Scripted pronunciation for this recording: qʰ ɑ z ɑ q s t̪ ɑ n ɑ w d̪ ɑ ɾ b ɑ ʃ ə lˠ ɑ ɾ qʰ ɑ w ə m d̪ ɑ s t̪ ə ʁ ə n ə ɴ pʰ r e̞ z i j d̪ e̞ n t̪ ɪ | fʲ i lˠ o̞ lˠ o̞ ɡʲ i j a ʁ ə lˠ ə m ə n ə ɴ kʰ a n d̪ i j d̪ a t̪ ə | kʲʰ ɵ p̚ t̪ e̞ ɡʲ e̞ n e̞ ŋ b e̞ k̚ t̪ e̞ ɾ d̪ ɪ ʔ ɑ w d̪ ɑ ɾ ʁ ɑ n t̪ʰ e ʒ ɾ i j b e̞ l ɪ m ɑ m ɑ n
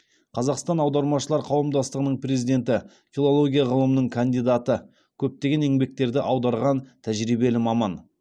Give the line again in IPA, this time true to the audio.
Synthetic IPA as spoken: qʰ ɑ z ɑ q s t̪ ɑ n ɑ w d̪ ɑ ɾ m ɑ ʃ ə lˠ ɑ ɾ qʰ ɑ w ə m d̪ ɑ s t̪ ə ʁ ə n ə ɴ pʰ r e̞ z i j d̪ e̞ n t̪ ɪ | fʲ i lˠ o̞ lˠ o̞ ɡʲ i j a ʁ ə lˠ ə m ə n ə ɴ kʰ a n d̪ i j d̪ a t̪ ə | kʲʰ ɵ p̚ t̪ e̞ ɡʲ e̞ n e̞ ŋ b e̞ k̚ t̪ e̞ ɾ d̪ ɪ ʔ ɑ w d̪ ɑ ɾ ʁ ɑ n t̪ʰ æ ʒ ɾ i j b e̞ l ɪ m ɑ m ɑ n